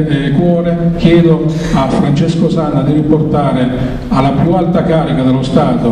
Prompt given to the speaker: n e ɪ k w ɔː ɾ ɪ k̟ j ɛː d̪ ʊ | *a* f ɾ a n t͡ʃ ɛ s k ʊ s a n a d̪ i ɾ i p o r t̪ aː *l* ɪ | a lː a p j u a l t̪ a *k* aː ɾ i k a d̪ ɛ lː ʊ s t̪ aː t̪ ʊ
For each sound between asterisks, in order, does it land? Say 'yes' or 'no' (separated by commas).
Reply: yes, no, yes